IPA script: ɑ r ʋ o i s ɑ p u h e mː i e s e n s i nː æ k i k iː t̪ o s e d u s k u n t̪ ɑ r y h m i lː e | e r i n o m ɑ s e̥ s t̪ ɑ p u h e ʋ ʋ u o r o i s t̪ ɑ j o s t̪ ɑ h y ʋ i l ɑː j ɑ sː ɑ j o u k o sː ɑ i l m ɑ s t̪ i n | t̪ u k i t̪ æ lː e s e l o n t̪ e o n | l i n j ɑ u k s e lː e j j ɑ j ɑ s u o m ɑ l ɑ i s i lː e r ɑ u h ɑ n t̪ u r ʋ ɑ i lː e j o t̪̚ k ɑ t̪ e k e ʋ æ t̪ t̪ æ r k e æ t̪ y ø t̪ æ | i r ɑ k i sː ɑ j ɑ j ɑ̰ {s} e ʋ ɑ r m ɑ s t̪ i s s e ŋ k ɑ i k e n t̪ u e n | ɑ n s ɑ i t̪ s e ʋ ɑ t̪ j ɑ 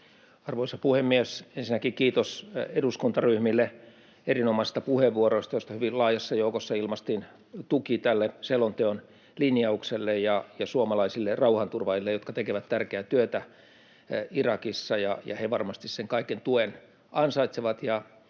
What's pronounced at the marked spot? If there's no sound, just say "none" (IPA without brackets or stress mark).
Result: h